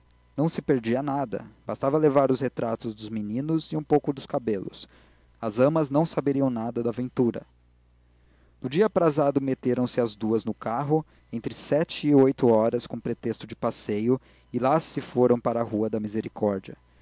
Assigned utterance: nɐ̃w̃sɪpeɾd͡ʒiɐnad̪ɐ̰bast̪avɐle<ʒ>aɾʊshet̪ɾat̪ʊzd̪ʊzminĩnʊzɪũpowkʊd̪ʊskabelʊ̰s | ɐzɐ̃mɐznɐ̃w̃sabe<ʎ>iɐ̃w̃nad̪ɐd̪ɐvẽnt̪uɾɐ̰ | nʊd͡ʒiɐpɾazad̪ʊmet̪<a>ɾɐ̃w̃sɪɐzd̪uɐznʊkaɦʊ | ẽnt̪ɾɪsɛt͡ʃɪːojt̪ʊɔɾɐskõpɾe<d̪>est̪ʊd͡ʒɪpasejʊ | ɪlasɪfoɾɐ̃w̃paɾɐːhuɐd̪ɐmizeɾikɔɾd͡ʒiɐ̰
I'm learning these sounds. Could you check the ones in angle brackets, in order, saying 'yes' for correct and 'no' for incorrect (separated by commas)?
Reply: no, no, no, no